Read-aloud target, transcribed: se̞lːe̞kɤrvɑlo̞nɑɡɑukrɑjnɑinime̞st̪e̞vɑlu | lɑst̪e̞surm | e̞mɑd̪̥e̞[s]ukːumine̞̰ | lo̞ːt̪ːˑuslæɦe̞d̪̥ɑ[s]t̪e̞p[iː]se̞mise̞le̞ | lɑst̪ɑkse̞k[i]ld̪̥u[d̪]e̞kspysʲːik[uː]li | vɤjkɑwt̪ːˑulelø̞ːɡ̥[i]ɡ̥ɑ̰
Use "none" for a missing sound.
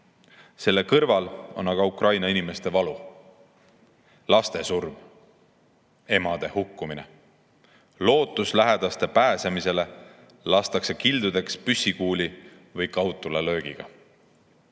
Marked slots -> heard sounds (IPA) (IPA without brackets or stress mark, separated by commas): h, s, æː, i, d̪, uː, i